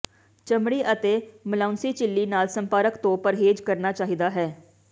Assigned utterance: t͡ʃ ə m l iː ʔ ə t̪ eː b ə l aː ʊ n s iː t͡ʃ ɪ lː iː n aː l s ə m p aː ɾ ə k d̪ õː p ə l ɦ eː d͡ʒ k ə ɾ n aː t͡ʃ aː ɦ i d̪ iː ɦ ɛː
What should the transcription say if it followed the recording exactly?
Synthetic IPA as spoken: t͡ʃ ə m ɽ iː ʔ ə t̪ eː m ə l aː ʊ n s iː t͡ʃ ɪ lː iː n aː l s ə m p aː ɾ ə k t̪ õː p ə ɾ ɦ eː d͡ʒ k ə ɾ n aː t͡ʃ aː ɦ i d̪ aː ɦ ɛː